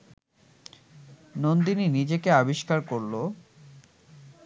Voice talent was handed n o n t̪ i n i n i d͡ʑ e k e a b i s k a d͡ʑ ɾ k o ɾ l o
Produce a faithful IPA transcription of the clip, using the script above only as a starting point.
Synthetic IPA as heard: n o n d̪ i n i n i d͡ʑ e k e a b i ʃ k a ɾ k o ɾ l o